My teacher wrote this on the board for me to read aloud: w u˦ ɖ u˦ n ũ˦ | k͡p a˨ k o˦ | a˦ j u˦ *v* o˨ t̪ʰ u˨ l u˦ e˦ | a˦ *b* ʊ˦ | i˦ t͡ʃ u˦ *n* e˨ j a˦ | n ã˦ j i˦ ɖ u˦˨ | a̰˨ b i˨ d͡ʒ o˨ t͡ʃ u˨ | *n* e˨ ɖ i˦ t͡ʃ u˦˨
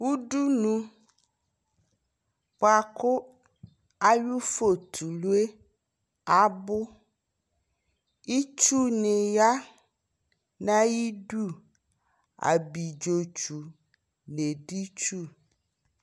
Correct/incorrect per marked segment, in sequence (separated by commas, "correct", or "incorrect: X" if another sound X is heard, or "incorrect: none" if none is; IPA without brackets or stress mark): incorrect: f, correct, correct, correct